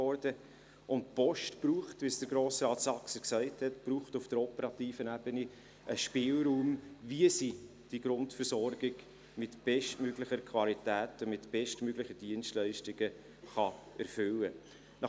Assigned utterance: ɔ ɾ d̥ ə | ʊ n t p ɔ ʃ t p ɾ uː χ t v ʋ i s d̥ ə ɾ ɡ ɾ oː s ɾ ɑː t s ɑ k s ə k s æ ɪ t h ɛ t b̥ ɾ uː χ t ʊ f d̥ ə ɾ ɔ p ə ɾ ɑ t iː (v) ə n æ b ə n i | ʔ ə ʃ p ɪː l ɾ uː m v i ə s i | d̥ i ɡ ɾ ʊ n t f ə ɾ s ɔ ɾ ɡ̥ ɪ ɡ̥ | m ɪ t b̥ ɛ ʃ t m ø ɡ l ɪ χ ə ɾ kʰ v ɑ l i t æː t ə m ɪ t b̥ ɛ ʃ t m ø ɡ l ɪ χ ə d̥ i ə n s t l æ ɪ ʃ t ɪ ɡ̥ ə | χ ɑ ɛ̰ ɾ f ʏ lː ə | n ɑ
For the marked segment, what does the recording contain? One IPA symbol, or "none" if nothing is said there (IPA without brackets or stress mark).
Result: f